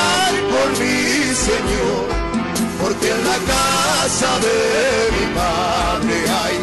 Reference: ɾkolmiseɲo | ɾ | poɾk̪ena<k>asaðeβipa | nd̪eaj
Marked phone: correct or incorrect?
correct